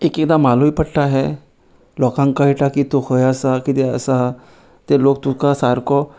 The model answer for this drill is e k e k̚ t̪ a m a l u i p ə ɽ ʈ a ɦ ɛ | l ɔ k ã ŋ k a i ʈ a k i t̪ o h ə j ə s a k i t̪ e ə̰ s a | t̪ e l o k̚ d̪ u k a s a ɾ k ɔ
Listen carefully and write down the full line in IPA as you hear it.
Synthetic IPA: e k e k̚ d̪ a m a l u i p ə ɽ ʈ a ɦ ɛ | l ɔ k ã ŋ k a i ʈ a k i t̪ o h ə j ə s a k i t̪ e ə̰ s a | t̪ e l o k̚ t̪ u k a s a ɾ k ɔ